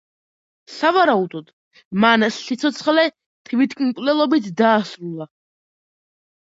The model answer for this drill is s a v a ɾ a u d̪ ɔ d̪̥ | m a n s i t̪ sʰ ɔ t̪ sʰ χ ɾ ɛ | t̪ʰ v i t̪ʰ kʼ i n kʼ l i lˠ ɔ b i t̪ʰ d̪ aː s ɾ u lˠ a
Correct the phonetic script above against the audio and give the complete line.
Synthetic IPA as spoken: s a v a ɾ a u d̪ ɔ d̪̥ | m a n s i t̪ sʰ ɔ t̪ sʰ χ l ɛ | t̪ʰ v i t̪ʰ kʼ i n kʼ l ɛ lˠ ɔ b i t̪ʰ d̪ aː s ɾ u lˠ a